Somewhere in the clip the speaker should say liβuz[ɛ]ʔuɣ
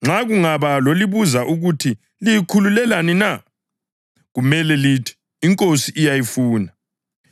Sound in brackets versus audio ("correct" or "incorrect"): incorrect